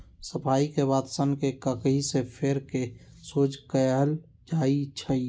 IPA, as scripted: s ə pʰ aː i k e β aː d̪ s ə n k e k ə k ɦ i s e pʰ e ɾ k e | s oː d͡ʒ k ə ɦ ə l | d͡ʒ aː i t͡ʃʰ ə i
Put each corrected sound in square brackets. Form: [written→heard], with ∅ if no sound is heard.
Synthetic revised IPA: s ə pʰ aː i k e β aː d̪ s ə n k e k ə k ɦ i s e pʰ e ɾ k e | s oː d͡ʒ k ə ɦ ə l | d͡ʒ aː i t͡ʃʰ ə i